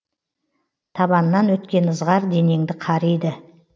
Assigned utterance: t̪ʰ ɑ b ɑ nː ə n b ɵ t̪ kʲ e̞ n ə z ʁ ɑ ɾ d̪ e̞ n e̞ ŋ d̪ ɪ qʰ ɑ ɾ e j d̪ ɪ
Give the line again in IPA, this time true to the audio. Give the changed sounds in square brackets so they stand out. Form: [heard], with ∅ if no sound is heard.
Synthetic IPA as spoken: t̪ʰ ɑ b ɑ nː [ɑ] n [w] ɵ t̪ kʲ e̞ n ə z ʁ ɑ ɾ d̪ e̞ n e̞ ŋ d̪ ɪ qʰ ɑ ɾ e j d̪ ɪ